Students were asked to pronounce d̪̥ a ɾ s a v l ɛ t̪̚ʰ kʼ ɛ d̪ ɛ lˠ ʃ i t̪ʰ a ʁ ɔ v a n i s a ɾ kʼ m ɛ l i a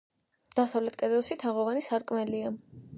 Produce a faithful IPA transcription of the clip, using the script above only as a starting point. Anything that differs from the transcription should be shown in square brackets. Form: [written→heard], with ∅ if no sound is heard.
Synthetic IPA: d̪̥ a [ɾ→∅] s a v l ɛ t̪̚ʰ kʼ ɛ d̪ ɛ lˠ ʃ i t̪ʰ a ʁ ɔ v a n i s a ɾ kʼ m ɛ l i a

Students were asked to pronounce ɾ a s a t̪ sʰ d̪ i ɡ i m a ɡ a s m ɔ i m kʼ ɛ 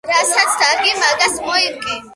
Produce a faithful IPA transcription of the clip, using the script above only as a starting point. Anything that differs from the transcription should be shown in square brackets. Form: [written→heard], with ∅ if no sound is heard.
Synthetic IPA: ɾ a s a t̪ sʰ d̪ [i→a] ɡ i m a ɡ a s m ɔ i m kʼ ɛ

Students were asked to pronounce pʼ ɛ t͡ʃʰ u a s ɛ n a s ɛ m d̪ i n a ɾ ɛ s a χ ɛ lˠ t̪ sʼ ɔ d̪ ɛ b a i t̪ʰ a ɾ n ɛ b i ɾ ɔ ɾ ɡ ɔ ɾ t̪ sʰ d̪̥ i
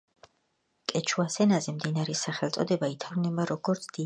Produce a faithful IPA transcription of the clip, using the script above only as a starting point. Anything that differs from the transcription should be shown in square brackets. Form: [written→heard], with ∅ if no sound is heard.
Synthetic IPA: [pʼ→kʼ] ɛ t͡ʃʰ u a s ɛ n a [s→z] ɛ m d̪ i n a ɾ ɛ s a χ ɛ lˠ t̪ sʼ ɔ d̪ ɛ b a i t̪ʰ a ɾ n ɛ b [i→a] ɾ ɔ [ɾ→∅] ɡ ɔ ɾ t̪ sʰ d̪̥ i

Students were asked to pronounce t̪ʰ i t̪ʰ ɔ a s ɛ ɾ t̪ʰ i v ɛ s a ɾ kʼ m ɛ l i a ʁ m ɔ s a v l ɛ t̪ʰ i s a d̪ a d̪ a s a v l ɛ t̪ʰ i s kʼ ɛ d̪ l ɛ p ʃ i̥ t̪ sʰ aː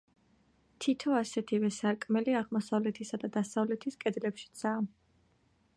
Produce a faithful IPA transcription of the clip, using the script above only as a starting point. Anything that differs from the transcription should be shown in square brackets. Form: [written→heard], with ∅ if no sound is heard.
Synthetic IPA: t̪ʰ i t̪ʰ ɔ a s ɛ [ɾ→∅] t̪ʰ i v ɛ s a ɾ kʼ m ɛ l i a ʁ m ɔ s a v l ɛ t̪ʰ i s a d̪ a d̪ a s a v l ɛ t̪ʰ i s kʼ ɛ d̪ l ɛ p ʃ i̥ t̪ sʰ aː

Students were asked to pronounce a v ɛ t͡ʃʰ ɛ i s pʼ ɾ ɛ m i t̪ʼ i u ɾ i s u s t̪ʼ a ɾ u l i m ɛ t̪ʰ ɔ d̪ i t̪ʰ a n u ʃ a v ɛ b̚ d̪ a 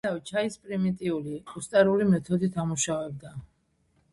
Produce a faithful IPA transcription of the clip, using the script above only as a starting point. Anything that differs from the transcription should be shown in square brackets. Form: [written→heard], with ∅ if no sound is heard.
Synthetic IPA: a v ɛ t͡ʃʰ [ɛ→a] i s pʼ ɾ [ɛ→i] m i t̪ʼ i u [ɾ→l] i [s→∅] u s t̪ʼ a ɾ u l i m ɛ t̪ʰ ɔ d̪ i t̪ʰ a [n→m] u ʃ a v ɛ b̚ d̪ a

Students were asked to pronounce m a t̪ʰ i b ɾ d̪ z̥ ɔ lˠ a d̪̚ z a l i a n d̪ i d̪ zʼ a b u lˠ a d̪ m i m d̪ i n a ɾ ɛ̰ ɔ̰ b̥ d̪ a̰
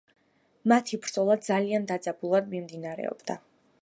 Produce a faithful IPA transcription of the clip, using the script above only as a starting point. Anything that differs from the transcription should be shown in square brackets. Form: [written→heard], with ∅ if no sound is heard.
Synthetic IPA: m a t̪ʰ i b ɾ d̪ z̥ ɔ lˠ a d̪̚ z a l i a n d̪ [i→a] d̪ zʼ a b u lˠ a d̪ m i m d̪ i n a ɾ ɛ̰ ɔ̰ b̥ d̪ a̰

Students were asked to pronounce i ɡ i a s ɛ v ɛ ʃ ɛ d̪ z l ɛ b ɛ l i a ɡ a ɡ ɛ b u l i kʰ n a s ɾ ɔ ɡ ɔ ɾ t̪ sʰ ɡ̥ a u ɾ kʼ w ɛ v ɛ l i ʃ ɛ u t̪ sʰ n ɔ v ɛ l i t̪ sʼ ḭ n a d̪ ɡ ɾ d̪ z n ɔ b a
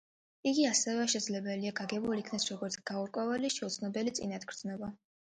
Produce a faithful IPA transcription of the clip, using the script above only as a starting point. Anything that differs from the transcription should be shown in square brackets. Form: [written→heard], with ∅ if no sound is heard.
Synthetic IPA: i ɡ i a s ɛ v ɛ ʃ ɛ d̪ z l ɛ b ɛ l i a ɡ a ɡ ɛ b u l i kʰ n a s ɾ ɔ ɡ ɔ ɾ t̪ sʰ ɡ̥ a u ɾ kʼ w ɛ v ɛ l i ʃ ɛ u t̪ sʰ n ɔ [v→b] ɛ l i t̪ sʼ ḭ n a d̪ ɡ ɾ d̪ z n ɔ b a

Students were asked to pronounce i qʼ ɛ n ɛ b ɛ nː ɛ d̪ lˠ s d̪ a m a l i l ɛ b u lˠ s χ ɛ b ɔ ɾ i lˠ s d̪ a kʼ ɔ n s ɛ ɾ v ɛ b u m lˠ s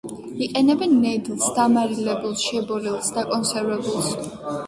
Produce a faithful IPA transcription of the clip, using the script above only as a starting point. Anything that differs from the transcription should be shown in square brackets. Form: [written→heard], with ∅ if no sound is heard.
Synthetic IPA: i qʼ ɛ n ɛ b ɛ nː ɛ d̪ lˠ s d̪ a m a [l→ɾ] i l ɛ b u lˠ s [χ→ʃ] ɛ b ɔ ɾ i lˠ s d̪ a kʼ ɔ n s ɛ ɾ v ɛ b u [m→∅] lˠ s

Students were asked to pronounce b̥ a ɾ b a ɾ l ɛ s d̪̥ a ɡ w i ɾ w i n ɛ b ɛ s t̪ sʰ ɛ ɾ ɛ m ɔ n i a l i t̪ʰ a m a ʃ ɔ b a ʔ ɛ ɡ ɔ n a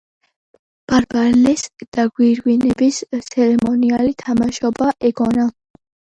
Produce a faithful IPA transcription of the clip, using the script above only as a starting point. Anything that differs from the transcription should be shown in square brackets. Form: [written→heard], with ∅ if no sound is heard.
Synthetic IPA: b̥ a ɾ b a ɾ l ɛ s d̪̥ a ɡ w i ɾ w i n ɛ b [ɛ→i] s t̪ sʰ ɛ ɾ ɛ m ɔ n i a l i t̪ʰ a m a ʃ ɔ b a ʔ ɛ ɡ ɔ n a

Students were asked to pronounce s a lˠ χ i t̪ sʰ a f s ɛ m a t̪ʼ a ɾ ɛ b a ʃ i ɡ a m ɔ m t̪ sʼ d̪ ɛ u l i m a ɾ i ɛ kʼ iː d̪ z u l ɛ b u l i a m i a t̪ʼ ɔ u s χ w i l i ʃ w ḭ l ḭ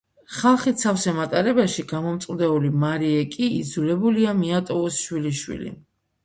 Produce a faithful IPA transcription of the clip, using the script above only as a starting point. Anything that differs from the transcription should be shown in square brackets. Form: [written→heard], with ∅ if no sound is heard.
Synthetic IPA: [s→χ] a lˠ χ i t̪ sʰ a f s ɛ m a t̪ʼ a ɾ ɛ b a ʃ i ɡ a m ɔ m t̪ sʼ d̪ ɛ u l i m a ɾ i ɛ kʼ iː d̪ z u l ɛ b u l i a m i a t̪ʼ ɔ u s [χ→ʃ] w i l i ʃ w ḭ l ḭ

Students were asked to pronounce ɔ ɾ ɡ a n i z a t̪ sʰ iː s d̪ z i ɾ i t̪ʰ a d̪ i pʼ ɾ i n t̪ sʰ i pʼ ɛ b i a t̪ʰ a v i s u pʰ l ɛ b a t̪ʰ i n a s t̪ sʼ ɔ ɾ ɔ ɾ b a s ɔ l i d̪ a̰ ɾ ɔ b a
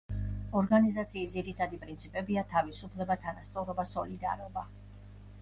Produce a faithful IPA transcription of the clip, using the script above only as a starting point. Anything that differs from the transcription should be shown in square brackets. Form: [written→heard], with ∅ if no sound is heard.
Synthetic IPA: ɔ ɾ ɡ a n i z a t̪ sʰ iː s d̪ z i ɾ i t̪ʰ a d̪ i pʼ ɾ i n t̪ sʰ i pʼ ɛ b i a t̪ʰ a v i s u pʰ l ɛ b a t̪ʰ [i→a] n a s t̪ sʼ ɔ ɾ ɔ [ɾ→∅] b a s ɔ l i d̪ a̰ ɾ ɔ b a

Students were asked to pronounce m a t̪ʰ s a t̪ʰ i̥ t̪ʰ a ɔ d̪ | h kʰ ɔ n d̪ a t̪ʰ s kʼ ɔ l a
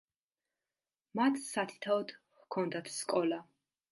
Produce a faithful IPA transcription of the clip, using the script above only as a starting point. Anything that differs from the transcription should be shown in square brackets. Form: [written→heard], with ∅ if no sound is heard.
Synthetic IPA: m a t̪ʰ s a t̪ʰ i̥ t̪ʰ a ɔ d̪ | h kʰ ɔ n d̪ a t̪ʰ s kʼ ɔ l a

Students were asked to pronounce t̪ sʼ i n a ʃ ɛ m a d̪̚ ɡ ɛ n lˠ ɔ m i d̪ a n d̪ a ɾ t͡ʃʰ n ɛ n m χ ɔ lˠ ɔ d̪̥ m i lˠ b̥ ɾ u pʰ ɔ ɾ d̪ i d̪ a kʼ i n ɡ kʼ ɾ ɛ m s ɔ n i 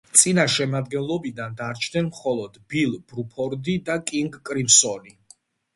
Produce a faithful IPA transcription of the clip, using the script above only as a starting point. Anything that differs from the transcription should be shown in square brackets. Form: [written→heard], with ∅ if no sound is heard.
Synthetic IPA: t̪ sʼ i n a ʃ ɛ m a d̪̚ ɡ ɛ n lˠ ɔ [m→b] i d̪ a n d̪ a ɾ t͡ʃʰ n ɛ n m χ ɔ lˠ ɔ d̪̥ [m→b] i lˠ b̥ ɾ u pʰ ɔ ɾ d̪ i d̪ a kʼ i [n→ŋ] ɡ kʼ ɾ [ɛ→i] m s ɔ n i

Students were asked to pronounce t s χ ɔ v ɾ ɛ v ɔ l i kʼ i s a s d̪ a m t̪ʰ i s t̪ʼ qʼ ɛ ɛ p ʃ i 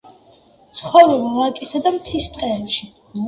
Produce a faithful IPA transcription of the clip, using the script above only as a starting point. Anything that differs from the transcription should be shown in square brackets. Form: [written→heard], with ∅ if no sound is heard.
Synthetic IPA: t s χ ɔ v ɾ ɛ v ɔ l [i→a] kʼ i s a [s→∅] d̪ a m t̪ʰ i s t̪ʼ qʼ ɛ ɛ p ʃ i

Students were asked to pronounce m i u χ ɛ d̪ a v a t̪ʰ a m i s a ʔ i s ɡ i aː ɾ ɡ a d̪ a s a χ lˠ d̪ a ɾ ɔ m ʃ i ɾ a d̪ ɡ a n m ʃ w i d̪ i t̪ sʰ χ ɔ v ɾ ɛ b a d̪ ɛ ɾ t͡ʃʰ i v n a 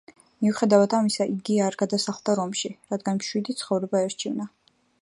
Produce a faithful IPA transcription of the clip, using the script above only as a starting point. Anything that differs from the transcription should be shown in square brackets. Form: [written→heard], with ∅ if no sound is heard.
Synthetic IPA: m i u χ ɛ d̪ a v a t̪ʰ a m i s a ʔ i [s→∅] ɡ i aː ɾ ɡ a d̪ a s a χ lˠ d̪ a ɾ ɔ m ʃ i ɾ a d̪ ɡ a n m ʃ w i d̪ i t̪ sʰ χ ɔ v ɾ ɛ b a [d̪→∅] ɛ ɾ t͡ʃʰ i v n a

